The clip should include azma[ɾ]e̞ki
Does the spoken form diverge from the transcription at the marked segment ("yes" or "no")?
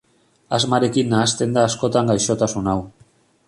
no